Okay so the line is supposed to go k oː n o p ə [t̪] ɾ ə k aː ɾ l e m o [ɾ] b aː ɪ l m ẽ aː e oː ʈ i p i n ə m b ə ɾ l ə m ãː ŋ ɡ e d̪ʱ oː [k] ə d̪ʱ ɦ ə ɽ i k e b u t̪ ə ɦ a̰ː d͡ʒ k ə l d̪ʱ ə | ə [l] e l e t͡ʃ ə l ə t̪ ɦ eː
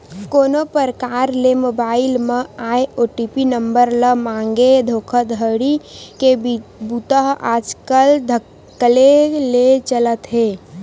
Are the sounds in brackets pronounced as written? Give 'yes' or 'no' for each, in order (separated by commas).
no, no, no, yes